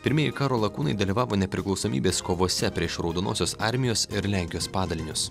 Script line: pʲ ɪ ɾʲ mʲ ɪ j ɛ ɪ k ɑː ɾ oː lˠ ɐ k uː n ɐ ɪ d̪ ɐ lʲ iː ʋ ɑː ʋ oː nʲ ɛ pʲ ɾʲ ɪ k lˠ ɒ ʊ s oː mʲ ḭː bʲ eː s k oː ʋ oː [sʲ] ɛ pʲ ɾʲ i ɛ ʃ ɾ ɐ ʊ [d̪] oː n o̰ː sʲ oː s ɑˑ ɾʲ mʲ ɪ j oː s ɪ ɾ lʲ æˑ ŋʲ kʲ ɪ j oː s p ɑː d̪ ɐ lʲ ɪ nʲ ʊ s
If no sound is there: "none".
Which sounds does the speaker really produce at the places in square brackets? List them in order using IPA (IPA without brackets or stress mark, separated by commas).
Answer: sʲ, d̪